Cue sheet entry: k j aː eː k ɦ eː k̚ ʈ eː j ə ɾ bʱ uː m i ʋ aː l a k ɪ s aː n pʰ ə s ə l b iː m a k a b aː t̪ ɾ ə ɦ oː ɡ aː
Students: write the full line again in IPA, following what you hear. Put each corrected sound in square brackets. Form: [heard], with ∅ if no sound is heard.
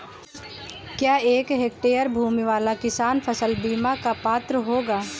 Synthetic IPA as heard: k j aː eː k ɦ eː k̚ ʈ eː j ə ɾ bʱ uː m i ʋ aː l a k ɪ s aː n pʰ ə s ə l b iː m a k a [p] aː t̪ ɾ ə ɦ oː ɡ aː